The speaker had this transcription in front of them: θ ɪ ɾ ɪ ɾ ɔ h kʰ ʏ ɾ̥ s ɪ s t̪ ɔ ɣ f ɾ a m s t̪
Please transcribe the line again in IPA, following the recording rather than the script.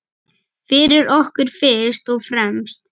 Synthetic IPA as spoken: f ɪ ɾ ɪ ɾ ɔ h k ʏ ɾ̥ f ɪ s t̪ ɔ ɣ f ɾ ɛ m s t̪